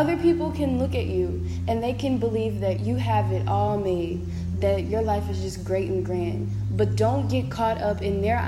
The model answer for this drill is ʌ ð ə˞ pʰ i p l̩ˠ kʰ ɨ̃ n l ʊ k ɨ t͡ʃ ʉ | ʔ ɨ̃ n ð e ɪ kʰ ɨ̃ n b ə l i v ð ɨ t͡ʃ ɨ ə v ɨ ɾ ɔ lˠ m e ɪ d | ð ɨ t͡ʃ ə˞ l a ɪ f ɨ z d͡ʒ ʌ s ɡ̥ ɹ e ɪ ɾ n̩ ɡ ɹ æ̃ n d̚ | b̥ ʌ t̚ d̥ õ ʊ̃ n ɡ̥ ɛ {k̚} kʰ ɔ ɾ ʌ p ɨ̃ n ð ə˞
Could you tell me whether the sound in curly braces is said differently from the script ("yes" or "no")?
yes